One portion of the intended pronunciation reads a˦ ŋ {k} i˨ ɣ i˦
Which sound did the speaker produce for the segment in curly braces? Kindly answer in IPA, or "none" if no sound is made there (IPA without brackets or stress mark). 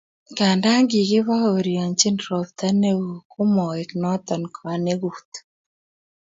ɡ